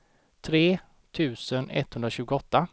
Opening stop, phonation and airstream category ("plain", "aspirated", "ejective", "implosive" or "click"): aspirated